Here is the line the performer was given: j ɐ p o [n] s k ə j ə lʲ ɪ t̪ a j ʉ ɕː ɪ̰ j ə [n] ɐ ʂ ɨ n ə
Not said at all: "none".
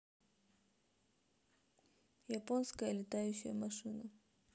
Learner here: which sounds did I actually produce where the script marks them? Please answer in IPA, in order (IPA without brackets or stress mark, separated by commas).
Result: n, m